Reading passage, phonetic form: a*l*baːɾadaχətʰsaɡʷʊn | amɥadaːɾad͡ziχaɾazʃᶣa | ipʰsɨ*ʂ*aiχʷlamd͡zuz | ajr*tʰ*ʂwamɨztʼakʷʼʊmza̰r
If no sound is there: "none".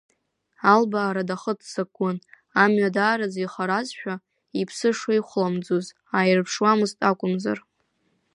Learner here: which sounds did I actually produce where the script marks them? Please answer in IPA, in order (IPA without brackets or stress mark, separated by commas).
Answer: l, ʂ, pʰ